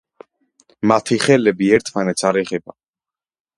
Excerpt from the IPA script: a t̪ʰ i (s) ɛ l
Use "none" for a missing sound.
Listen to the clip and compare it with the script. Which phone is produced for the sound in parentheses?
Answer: χ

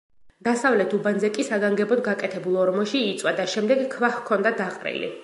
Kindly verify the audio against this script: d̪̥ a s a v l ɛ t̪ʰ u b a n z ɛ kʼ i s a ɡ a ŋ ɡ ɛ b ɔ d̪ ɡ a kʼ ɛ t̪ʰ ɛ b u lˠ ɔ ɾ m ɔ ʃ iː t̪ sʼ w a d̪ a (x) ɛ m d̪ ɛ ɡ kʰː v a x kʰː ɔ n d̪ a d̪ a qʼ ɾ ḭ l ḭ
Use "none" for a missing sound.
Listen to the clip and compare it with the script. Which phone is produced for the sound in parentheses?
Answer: ʃ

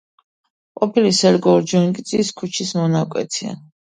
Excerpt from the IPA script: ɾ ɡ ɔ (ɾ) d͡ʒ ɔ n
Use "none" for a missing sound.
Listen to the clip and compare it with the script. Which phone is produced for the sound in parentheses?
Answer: ɾ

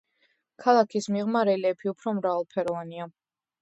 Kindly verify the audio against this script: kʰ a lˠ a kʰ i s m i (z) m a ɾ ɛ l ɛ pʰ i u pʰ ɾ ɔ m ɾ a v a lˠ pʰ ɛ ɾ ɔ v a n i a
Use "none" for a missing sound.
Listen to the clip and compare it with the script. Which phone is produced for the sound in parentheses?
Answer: ʁ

